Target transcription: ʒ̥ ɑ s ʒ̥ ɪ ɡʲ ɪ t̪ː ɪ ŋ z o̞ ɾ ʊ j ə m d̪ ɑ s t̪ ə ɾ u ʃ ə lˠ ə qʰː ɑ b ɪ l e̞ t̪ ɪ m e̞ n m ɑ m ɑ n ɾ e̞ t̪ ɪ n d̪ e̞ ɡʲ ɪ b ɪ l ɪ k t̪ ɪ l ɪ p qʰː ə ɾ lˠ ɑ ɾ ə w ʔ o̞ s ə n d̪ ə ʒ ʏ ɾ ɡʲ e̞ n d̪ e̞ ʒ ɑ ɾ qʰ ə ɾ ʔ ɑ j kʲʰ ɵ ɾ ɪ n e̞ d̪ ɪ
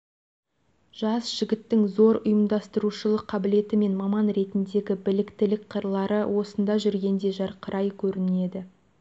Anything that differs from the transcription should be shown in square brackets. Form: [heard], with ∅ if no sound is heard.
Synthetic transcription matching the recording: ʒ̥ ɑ s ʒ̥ ɪ ɡʲ ɪ t̪ː ɪ ŋ z o̞ ɾ ʊ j ə m d̪ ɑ s t̪ ə ɾ u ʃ ə lˠ ə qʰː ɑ b ɪ l e̞ t̪ ɪ m e̞ n m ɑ m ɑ n ɾ e̞ t̪ ɪ n d̪ e̞ ɡʲ ɪ b ɪ l ɪ k t̪ ɪ l ɪ [k] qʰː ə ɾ lˠ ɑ ɾ ə w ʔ o̞ s ə n d̪ [ɑ] ʒ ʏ ɾ ɡʲ e̞ n d̪ e̞ ʒ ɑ ɾ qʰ ə ɾ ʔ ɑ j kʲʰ ɵ ɾ ɪ n e̞ d̪ ɪ